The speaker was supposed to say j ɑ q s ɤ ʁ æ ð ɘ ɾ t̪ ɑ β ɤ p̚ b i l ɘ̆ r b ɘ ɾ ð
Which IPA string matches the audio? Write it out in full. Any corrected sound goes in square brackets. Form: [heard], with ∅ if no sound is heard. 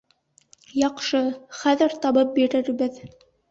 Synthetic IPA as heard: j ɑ q [ʃ] ɤ [χ] æ ð ɘ ɾ t̪ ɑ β ɤ p̚ b i [ɾ] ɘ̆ [ɾ] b ɘ [∅] ð

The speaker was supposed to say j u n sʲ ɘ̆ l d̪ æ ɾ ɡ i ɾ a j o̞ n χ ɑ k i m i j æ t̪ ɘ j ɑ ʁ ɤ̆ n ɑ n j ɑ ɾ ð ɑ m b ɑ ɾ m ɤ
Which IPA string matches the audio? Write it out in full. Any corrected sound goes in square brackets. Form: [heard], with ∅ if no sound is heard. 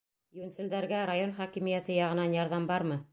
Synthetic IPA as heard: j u n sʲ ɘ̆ l d̪ æ ɾ ɡ [æ] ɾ a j o̞ n χ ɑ k i m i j æ t̪ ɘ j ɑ ʁ ɤ̆ n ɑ n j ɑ ɾ ð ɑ m b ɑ ɾ m ɤ

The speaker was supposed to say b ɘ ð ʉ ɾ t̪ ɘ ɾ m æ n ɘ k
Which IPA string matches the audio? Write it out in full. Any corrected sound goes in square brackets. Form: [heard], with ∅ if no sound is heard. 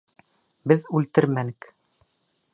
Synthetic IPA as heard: b ɘ ð ʉ [l] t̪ ɘ ɾ m æ n ɘ k

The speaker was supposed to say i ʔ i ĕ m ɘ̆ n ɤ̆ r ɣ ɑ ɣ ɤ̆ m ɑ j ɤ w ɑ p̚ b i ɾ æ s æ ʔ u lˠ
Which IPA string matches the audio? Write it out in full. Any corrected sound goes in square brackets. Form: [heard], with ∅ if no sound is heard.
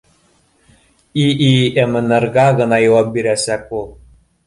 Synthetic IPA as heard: i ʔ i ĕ m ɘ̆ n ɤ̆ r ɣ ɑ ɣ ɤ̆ [n] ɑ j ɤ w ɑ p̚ b i ɾ æ s æ [k] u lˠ

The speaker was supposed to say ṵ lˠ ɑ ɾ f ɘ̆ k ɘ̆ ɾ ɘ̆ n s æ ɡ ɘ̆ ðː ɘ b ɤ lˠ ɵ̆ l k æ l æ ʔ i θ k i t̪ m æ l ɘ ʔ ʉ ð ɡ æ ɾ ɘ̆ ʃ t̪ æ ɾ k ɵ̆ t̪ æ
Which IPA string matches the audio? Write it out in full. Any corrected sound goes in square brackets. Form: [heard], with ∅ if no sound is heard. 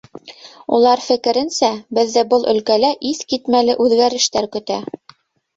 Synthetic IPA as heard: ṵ lˠ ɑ ɾ f ɘ̆ k ɘ̆ ɾ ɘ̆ n s æ [b] ɘ̆ ðː ɘ b ɤ lˠ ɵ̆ l k æ l æ ʔ i θ k i t̪ m æ l ɘ ʔ ʉ ð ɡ æ ɾ ɘ̆ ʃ t̪ æ ɾ k ɵ̆ t̪ æ

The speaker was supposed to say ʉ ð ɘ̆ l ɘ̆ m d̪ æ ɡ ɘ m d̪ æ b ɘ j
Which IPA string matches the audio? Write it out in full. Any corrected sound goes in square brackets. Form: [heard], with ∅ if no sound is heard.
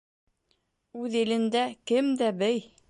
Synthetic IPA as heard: ʉ ð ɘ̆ l ɘ̆ [n] d̪ æ [k] ɘ m d̪ æ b ɘ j

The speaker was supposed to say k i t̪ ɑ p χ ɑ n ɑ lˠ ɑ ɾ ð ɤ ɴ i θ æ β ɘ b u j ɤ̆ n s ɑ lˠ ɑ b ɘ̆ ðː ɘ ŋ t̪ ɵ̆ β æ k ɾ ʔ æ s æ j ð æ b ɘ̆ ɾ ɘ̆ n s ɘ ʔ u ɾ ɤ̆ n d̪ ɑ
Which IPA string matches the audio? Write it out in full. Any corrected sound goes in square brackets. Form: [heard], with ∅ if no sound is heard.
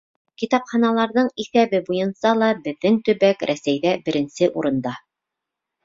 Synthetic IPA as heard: k i t̪ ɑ p χ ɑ n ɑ lˠ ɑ ɾ ð ɤ ɴ i θ æ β ɘ b u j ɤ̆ n s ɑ lˠ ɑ b ɘ̆ ðː ɘ ŋ t̪ ɵ̆ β æ k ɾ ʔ æ s æ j ð æ b ɘ̆ ɾ ɘ̆ n s ɘ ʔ u ɾ ɤ̆ n d̪ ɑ

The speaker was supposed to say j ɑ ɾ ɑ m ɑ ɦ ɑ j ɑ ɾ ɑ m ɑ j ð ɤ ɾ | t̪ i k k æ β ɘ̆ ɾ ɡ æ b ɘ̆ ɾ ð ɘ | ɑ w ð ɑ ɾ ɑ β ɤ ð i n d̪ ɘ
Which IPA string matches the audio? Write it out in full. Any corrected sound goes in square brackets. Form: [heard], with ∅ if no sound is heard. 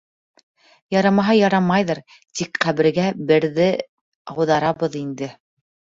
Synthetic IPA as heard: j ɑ ɾ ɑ m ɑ ɦ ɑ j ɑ ɾ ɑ m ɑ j ð ɤ ɾ | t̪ i k [q] æ β ɘ̆ ɾ ɡ æ b ɘ̆ ɾ ð ɘ | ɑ w ð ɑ ɾ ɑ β ɤ ð i n d̪ ɘ

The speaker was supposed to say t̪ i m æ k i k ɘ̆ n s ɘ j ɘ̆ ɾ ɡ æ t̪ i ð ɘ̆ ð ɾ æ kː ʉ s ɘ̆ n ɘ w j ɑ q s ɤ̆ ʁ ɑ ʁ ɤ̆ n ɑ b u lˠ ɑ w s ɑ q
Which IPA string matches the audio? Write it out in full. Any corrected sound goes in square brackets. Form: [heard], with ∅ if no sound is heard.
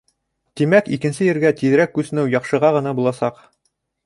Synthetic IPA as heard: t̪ i m æ k i k ɘ̆ n s ɘ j ɘ̆ ɾ ɡ æ t̪ i ð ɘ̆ [∅] ɾ æ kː ʉ s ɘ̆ n ɘ w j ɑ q [ʃ] ɤ̆ ʁ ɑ ʁ ɤ̆ n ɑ b u lˠ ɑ [∅] s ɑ q

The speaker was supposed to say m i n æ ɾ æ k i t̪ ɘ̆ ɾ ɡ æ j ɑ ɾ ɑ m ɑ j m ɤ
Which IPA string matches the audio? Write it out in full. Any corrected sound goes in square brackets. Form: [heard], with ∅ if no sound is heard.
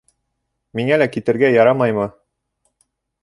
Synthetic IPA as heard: m i [ŋ] æ [l] æ k i t̪ ɘ̆ ɾ ɡ æ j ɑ ɾ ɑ m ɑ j m ɤ

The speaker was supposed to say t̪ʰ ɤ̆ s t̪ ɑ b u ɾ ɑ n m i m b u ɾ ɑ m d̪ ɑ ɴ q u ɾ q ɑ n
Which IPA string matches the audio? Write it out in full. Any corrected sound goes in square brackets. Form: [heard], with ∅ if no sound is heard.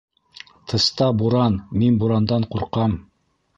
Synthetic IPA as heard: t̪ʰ ɤ̆ s t̪ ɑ b u ɾ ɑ n m i [n] b u ɾ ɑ [n] d̪ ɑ ɴ q u ɾ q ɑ [m]

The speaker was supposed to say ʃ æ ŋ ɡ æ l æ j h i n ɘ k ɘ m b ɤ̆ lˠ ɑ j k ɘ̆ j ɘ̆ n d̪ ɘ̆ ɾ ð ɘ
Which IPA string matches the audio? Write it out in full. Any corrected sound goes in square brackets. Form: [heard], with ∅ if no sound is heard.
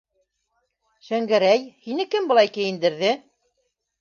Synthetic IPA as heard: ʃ æ ŋ ɡ æ [ɾ] æ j h i n ɘ k ɘ m b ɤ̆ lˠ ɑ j k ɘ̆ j ɘ̆ n d̪ ɘ̆ ɾ ð ɘ

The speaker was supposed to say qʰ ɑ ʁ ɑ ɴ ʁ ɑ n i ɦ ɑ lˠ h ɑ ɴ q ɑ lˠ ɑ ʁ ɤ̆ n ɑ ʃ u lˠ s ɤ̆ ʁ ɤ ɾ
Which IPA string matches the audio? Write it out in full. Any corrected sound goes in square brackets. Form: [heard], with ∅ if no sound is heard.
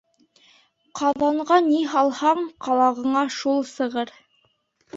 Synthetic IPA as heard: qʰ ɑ [ð] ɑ ɴ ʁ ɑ n i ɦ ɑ lˠ h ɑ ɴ q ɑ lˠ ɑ ʁ ɤ̆ [ɴ] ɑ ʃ u lˠ s ɤ̆ ʁ ɤ ɾ

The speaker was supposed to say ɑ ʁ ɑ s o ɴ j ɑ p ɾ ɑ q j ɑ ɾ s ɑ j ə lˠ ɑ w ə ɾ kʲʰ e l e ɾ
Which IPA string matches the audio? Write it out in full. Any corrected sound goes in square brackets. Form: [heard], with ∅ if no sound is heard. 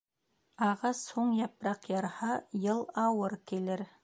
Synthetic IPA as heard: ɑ ʁ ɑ s o ɴ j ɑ p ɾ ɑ q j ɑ ɾ [h] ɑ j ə lˠ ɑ w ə ɾ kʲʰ e l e ɾ

